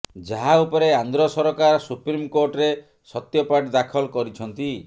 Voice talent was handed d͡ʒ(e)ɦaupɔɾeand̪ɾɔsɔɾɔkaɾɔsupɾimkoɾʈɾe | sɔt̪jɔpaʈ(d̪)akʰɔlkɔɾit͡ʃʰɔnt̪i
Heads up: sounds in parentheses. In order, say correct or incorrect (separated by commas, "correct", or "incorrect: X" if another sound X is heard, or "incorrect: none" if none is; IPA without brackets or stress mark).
incorrect: a, correct